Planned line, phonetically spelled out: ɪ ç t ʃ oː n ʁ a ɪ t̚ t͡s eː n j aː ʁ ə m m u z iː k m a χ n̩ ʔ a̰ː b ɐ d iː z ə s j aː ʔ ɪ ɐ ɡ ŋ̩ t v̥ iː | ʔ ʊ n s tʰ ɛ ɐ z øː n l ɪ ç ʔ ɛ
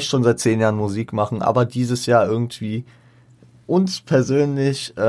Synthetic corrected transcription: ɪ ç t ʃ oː n z a ɪ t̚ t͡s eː n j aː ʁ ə n m u z iː k m a χ n̩ ʔ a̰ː b ɐ d iː z ə s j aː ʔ ɪ ɐ ɡ ŋ̩ t v̥ iː | ʔ ʊ n s pʰ ɛ ɐ z øː n l ɪ ç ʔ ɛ